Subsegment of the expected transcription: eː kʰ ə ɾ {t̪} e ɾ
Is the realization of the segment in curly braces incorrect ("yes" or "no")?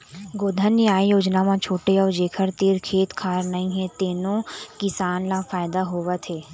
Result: no